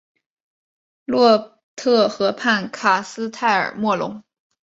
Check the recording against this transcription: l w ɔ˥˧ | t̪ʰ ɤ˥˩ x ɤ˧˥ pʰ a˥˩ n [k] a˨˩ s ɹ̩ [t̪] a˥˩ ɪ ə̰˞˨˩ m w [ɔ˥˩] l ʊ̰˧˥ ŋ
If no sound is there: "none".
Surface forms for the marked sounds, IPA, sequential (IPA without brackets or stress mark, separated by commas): kʰ, t̪ʰ, ɔ˥˩